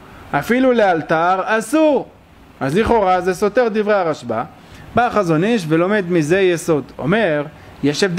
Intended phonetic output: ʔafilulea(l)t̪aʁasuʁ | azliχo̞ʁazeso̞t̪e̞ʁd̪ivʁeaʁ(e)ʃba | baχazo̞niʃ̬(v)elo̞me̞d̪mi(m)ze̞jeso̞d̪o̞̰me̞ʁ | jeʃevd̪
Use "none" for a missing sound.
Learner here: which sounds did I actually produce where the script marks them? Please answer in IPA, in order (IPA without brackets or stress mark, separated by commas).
l, a, v, none